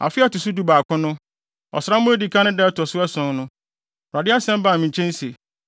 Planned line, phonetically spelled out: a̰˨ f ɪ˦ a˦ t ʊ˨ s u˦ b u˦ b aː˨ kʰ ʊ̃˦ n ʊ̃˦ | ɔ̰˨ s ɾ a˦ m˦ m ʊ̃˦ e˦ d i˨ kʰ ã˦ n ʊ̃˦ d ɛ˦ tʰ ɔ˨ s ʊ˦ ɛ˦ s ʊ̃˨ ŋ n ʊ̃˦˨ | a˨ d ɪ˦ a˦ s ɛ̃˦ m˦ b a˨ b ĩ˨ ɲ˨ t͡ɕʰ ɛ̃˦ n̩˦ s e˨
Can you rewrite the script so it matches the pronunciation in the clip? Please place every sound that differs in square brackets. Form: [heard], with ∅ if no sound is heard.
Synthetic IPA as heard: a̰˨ f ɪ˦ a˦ t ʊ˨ s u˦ [d] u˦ b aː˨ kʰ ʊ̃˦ n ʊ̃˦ | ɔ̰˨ s ɾ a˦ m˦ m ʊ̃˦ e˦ d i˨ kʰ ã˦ n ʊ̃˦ d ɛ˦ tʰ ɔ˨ s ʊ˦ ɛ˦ s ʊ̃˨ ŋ n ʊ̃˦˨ | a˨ d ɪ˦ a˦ s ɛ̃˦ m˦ b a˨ [m] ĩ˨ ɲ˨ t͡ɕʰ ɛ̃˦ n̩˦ s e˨